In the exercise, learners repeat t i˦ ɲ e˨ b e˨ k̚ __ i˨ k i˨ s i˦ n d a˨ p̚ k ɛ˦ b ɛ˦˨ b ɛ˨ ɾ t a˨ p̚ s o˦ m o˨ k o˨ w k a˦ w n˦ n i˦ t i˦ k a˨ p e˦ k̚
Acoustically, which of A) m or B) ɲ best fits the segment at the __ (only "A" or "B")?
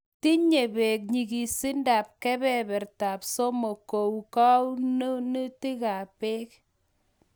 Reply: B